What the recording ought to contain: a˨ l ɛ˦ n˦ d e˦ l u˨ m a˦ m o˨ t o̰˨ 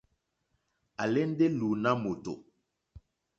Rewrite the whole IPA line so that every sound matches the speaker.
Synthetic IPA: a˨ l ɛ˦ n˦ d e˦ l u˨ n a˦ m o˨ t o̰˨